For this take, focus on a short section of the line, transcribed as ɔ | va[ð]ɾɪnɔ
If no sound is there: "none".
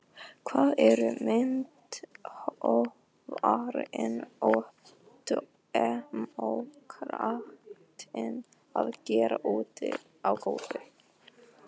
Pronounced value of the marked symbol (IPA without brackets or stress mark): none